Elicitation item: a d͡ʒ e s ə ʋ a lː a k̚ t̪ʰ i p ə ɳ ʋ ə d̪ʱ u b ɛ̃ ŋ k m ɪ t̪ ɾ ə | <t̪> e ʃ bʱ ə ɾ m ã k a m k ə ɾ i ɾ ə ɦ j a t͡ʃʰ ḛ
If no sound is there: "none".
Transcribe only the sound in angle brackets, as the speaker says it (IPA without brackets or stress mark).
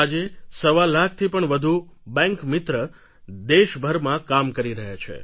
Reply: d̪